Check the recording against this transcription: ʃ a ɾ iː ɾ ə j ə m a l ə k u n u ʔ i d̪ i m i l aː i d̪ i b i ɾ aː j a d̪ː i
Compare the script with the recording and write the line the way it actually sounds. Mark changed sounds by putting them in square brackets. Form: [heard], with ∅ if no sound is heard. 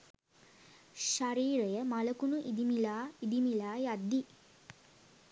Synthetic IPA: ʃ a ɾ iː ɾ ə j ə m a l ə k u n u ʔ i d̪ i m i l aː i d̪ i [m] i [l] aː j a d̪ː i